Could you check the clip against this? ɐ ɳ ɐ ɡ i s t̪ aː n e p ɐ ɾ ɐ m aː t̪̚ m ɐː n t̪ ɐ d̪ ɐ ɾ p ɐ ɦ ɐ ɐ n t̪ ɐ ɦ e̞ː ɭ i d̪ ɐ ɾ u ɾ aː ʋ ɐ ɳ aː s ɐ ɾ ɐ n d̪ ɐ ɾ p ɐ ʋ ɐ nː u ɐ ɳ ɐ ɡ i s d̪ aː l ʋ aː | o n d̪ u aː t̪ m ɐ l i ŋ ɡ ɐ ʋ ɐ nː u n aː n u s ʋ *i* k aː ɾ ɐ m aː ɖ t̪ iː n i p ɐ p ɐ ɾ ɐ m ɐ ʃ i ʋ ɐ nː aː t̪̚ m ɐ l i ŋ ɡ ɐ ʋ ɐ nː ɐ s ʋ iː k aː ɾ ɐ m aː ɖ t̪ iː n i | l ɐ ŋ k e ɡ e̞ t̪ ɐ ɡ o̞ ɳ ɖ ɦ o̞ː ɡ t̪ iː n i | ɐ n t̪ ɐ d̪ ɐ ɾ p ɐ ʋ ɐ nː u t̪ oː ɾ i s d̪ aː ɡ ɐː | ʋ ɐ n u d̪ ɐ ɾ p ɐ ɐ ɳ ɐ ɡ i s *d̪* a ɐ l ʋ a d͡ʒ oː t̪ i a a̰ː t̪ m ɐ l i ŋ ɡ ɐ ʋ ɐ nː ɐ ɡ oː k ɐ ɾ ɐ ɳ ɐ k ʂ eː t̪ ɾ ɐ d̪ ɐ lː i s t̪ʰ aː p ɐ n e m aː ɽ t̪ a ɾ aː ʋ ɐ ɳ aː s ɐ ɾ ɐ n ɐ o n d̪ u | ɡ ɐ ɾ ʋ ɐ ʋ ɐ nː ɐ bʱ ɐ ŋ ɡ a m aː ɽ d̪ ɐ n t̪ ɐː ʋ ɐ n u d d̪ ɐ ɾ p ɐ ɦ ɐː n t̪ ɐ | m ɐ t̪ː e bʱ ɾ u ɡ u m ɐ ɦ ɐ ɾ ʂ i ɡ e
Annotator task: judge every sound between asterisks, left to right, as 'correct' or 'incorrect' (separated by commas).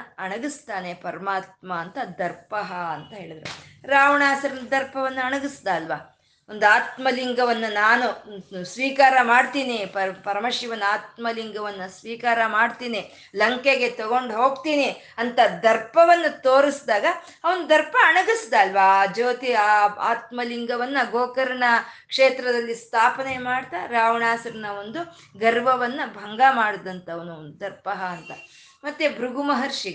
incorrect, correct